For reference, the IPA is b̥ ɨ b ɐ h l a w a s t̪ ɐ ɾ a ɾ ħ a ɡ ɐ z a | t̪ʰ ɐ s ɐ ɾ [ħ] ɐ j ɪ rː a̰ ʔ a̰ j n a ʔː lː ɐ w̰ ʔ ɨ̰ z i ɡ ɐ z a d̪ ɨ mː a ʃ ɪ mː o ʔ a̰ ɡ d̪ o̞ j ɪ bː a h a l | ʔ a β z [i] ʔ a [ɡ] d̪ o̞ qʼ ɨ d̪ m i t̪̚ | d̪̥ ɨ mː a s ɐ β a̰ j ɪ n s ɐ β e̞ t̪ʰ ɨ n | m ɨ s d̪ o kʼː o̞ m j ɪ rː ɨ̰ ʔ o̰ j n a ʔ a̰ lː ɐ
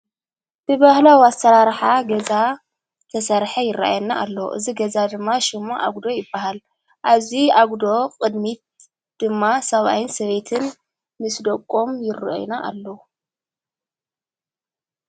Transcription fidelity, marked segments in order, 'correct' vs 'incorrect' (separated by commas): correct, correct, correct